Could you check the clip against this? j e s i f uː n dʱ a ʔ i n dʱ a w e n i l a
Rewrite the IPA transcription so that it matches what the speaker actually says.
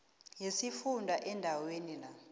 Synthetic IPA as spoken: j e s i f u n dʱ a ʔ ɛ n dʱ a w e n i l a